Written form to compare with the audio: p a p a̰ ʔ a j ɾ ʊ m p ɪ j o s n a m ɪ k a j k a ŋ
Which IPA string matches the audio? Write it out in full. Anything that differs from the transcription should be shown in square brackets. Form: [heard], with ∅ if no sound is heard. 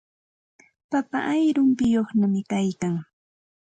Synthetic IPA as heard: p a p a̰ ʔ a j ɾ ʊ m p ɪ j o [χ] n a m ɪ k a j k a ŋ